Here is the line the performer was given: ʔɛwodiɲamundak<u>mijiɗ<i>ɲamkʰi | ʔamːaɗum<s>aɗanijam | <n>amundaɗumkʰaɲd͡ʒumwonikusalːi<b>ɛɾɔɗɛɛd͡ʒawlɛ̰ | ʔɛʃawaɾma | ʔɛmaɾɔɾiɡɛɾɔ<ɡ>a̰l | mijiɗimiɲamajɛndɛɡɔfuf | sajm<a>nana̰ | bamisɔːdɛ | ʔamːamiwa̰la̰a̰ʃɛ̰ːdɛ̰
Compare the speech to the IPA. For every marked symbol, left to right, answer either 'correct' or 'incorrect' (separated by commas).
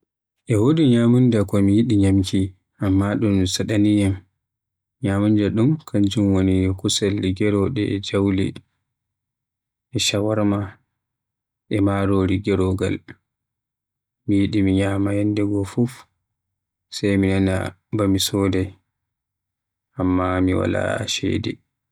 incorrect, correct, correct, incorrect, incorrect, correct, incorrect